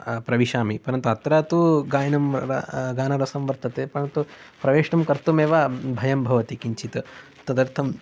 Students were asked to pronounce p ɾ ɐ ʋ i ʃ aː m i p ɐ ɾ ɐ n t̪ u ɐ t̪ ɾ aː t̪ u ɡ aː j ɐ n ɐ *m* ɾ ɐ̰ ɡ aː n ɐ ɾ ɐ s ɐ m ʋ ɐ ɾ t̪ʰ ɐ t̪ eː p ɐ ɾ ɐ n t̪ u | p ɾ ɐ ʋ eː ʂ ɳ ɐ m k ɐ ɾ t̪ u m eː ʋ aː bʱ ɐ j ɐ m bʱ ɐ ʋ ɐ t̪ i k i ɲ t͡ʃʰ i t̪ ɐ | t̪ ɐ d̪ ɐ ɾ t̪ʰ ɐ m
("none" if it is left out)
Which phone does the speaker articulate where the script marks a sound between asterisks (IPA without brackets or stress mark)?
m